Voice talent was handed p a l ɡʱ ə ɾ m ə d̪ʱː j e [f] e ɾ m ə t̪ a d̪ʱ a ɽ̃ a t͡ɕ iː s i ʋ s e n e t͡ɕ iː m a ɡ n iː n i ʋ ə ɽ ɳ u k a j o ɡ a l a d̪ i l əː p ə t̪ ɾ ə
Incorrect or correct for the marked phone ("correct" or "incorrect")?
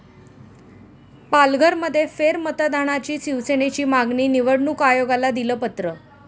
correct